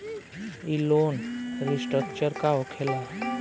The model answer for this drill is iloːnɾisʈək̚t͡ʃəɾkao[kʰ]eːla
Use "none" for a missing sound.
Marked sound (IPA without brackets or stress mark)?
kʰ